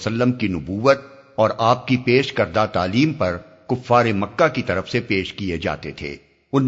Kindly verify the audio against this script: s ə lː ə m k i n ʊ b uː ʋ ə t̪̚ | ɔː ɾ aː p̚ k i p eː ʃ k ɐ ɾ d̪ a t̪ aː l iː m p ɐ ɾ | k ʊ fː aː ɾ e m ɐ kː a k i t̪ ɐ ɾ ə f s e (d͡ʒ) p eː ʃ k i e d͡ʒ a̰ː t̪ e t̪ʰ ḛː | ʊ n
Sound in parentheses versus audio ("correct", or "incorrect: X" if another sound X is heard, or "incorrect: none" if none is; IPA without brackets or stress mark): incorrect: none